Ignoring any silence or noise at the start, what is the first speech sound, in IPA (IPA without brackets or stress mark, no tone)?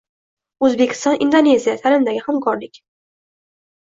ɵ